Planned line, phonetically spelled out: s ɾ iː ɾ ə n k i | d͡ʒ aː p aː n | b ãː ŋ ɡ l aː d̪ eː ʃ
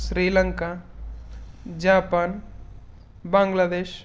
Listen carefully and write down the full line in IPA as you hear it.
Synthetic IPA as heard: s ɾ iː l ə ŋ k a | d͡ʒ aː p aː n | b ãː ŋ ɡ l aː d̪ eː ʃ